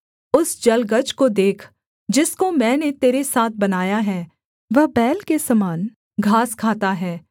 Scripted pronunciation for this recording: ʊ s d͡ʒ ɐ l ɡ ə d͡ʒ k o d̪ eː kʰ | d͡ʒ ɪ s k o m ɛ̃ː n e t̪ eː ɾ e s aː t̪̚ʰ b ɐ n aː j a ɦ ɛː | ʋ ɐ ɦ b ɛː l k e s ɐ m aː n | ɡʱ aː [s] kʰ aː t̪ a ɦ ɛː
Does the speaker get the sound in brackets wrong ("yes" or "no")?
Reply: no